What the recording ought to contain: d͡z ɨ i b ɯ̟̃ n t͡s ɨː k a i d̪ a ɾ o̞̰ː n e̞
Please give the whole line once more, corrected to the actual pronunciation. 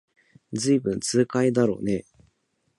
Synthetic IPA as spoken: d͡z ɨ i b ɯ̟̃ n t͡s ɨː k a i d̪ a ɾ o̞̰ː n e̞